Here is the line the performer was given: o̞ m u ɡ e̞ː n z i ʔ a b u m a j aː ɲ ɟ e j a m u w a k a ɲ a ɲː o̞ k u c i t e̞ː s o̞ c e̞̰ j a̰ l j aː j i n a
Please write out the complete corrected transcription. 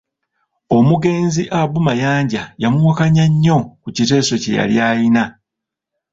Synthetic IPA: o̞ m u ɡ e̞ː n z i ʔ a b u m a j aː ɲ ɟ a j a m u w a k a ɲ a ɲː o̞ k u c i t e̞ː s o̞ c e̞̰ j a̰ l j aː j i n a